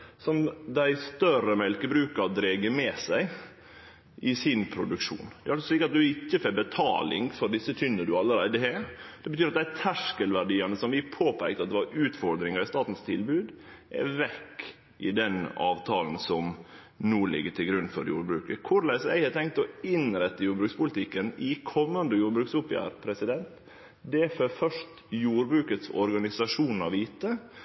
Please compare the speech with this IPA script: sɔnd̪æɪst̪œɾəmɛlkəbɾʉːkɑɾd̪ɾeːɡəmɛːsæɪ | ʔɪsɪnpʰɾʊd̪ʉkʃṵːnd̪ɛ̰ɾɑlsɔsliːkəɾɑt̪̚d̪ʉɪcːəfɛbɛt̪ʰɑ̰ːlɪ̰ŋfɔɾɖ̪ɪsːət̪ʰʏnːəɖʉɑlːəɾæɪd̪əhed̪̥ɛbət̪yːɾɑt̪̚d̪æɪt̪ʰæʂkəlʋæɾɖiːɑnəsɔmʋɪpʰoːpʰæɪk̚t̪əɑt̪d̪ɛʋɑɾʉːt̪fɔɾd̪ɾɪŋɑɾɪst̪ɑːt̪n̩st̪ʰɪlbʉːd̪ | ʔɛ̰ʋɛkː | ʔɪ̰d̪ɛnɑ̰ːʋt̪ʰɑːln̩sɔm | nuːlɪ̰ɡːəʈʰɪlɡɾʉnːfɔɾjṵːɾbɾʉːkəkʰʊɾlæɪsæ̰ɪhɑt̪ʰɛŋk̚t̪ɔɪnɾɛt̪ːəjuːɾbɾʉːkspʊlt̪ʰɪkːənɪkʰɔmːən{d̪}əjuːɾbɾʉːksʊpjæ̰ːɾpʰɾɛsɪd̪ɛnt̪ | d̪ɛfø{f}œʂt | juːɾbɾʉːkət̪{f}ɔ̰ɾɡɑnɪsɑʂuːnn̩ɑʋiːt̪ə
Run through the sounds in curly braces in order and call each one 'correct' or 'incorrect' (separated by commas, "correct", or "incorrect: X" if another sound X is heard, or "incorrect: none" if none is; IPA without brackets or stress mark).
correct, correct, incorrect: s